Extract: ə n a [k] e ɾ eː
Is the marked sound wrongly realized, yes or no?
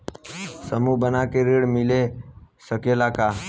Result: no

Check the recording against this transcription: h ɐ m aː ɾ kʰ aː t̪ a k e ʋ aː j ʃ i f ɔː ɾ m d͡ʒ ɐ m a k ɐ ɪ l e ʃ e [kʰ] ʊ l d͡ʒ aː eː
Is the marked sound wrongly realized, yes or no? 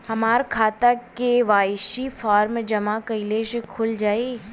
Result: no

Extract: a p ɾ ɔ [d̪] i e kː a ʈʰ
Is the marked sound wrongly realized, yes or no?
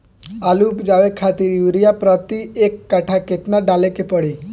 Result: yes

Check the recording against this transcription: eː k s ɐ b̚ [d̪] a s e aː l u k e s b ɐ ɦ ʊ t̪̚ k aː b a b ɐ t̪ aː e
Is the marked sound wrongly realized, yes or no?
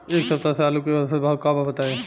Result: yes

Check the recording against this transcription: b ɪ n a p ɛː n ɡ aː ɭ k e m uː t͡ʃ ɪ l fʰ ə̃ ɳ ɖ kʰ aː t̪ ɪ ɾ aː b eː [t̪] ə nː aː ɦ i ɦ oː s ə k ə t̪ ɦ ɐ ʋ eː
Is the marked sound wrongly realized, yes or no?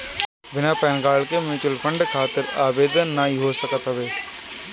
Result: yes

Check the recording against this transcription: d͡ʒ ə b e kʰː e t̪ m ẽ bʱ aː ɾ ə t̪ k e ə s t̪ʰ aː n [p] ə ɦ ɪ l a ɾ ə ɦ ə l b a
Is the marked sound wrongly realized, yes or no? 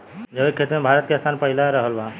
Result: no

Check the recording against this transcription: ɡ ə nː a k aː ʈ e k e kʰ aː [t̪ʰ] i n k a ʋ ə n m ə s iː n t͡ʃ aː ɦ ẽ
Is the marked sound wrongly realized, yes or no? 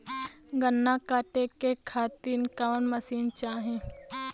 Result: yes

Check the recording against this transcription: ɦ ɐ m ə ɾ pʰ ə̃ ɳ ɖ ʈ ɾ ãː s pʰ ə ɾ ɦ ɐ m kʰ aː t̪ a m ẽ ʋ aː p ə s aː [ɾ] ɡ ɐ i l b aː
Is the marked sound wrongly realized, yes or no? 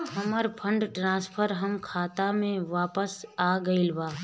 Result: yes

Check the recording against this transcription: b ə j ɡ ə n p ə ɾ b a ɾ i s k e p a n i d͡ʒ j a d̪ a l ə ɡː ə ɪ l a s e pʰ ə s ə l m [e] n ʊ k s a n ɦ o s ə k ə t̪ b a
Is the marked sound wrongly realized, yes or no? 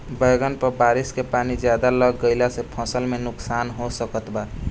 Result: no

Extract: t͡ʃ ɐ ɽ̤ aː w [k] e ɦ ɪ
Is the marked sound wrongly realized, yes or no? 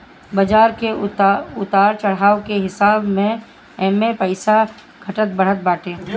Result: no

